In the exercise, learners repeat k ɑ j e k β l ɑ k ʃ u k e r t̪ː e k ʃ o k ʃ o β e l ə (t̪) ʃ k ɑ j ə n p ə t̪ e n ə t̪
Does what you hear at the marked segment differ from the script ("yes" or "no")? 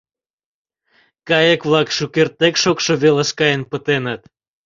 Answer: yes